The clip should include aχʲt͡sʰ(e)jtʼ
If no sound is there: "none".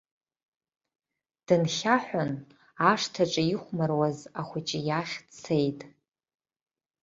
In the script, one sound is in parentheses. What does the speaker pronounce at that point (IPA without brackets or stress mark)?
e